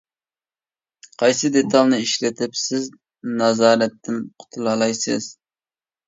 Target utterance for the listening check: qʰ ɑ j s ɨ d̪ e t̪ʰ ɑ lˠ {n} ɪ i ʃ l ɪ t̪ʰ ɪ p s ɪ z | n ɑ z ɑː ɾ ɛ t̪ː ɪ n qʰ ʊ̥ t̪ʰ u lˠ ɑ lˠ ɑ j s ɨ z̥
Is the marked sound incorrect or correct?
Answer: correct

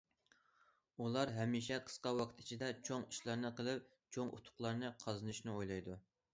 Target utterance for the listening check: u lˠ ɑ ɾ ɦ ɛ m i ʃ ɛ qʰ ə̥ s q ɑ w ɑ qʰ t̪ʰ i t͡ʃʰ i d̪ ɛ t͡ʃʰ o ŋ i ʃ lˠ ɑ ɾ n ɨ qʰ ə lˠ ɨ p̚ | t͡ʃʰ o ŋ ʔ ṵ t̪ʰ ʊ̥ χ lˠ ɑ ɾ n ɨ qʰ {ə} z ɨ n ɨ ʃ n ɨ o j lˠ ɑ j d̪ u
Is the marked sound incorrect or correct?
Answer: incorrect: ɑ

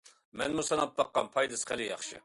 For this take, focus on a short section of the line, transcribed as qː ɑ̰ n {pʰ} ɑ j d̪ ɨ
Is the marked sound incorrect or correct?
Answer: correct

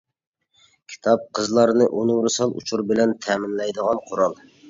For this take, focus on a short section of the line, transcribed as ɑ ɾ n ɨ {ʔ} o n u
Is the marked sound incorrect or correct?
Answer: correct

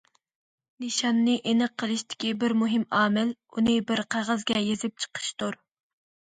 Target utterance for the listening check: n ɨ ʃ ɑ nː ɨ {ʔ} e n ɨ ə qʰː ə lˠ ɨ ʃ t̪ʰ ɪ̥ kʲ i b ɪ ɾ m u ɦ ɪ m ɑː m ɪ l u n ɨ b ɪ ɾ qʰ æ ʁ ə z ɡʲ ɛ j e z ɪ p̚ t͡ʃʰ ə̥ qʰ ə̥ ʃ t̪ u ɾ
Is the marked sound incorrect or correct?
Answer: correct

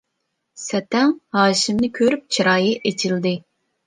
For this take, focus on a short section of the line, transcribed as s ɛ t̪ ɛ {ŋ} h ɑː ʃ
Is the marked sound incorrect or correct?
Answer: correct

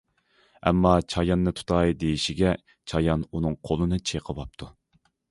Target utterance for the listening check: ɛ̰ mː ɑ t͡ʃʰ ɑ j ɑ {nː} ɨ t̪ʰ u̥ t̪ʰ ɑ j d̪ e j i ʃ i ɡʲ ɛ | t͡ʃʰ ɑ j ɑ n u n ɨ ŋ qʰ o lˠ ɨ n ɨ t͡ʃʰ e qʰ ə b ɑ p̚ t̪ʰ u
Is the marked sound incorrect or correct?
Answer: correct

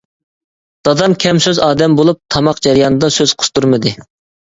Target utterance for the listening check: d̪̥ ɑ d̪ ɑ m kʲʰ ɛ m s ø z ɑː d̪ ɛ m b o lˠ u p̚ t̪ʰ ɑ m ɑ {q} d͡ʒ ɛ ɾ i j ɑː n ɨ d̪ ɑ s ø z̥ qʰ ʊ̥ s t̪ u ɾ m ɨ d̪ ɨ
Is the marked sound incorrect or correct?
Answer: correct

